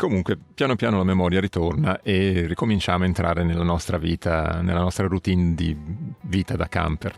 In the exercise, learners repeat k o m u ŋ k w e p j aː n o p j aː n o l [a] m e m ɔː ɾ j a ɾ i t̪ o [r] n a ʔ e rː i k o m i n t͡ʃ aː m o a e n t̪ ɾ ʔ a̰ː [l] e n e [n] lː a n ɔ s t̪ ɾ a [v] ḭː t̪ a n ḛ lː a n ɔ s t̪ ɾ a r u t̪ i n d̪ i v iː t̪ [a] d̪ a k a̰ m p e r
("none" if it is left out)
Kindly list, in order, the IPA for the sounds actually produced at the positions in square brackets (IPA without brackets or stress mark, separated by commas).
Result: a, r, ɾ, none, v, a